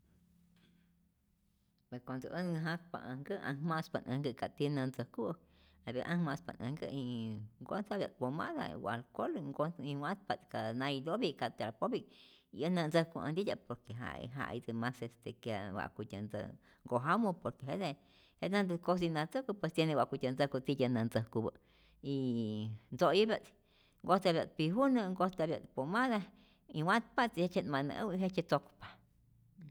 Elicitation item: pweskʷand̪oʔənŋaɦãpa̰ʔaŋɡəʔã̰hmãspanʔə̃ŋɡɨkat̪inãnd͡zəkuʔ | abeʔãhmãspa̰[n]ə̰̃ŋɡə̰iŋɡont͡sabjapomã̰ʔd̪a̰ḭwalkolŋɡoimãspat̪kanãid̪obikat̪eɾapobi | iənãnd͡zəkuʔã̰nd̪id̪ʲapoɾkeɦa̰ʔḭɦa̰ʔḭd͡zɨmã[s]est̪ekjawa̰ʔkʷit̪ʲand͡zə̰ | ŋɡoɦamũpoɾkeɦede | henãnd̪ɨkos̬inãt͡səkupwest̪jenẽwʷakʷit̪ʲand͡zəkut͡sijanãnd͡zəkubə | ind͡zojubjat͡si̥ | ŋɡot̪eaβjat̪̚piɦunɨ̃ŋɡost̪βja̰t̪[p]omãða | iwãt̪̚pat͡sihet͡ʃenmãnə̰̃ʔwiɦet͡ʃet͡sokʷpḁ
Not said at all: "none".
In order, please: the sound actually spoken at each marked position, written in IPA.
n, s, p

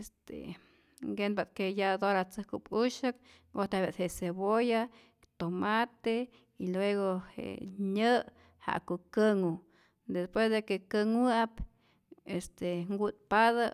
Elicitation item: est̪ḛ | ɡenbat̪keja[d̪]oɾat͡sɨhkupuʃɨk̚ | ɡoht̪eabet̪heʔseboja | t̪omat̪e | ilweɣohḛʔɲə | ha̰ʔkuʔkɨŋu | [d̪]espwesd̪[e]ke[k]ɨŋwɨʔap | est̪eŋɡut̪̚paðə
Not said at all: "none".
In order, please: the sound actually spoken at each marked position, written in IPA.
d̪, d̪, e, k

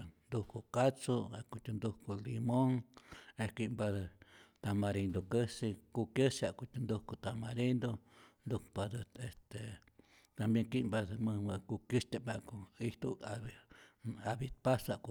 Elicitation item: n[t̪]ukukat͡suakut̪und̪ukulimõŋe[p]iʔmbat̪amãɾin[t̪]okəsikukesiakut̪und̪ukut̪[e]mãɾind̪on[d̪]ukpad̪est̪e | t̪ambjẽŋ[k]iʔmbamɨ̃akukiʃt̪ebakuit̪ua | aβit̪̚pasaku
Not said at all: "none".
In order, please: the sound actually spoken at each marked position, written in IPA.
d̪, k, d̪, a, d̪, k

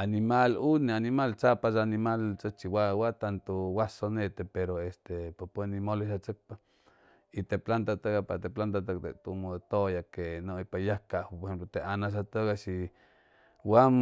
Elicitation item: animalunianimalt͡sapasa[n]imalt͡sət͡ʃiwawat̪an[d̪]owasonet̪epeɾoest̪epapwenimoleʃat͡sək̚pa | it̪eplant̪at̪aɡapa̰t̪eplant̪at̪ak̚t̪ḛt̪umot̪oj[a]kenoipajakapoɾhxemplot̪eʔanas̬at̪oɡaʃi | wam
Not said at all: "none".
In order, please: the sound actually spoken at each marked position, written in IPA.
n, t̪, a

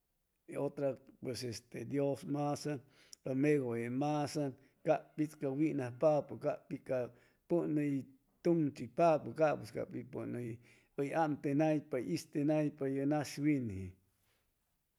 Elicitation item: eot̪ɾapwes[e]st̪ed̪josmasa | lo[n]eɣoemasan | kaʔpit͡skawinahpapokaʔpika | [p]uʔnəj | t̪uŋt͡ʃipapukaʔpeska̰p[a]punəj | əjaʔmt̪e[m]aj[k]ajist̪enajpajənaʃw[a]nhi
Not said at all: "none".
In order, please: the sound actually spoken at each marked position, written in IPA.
e, m, p, i, n, p, i

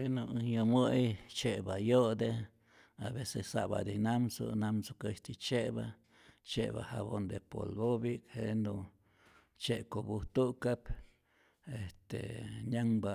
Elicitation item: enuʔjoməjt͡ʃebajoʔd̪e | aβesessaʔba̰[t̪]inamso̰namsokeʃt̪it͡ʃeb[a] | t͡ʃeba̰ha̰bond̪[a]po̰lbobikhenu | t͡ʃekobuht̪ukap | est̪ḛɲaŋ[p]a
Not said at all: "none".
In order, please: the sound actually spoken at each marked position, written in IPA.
d̪, a, e, b

